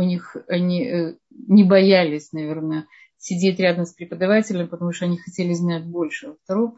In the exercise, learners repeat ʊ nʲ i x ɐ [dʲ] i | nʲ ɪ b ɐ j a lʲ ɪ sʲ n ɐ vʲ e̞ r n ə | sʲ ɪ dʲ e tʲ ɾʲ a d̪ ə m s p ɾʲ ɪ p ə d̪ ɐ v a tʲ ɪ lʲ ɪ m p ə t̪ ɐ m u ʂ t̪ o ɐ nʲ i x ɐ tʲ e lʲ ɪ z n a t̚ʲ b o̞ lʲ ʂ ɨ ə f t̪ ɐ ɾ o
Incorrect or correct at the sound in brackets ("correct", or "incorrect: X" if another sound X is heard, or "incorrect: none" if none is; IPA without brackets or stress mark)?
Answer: incorrect: nʲ